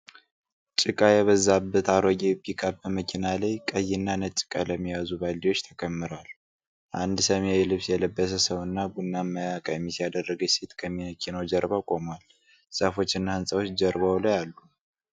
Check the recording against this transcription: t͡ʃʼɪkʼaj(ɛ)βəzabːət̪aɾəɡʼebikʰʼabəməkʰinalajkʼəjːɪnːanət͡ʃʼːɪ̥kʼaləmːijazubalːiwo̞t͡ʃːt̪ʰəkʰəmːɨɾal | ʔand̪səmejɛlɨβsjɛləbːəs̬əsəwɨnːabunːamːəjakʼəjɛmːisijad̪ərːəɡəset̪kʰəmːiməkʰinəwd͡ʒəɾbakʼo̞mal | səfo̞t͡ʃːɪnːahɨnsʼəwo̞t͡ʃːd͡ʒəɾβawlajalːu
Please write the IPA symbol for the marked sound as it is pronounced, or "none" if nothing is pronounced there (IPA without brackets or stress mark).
ɛ